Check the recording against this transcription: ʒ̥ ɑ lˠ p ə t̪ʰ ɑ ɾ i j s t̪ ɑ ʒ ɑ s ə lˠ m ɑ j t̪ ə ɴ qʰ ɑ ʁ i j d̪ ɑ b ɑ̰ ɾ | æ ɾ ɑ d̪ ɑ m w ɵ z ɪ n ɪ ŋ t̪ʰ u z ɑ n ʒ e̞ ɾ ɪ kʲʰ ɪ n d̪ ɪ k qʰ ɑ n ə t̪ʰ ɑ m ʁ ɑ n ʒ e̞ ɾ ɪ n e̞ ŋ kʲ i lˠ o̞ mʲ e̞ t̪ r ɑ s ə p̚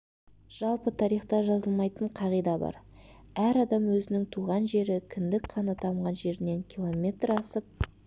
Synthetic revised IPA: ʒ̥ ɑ lˠ p ə t̪ʰ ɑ ɾ i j χ t̪ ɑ ʒ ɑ z ə lˠ m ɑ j t̪ ə ɴ qʰ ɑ ʁ i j d̪ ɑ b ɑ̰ ɾ | æ ɾ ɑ d̪ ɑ m w ɵ z ɪ n ɪ ŋ t̪ʰ u ʁ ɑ n ʒ e̞ ɾ ɪ kʲʰ ɪ n d̪ ɪ k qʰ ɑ n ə t̪ʰ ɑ m ʁ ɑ n ʒ e̞ ɾ ɪ n e̞ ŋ kʲ i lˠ o̞ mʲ e̞ t̪ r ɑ s ə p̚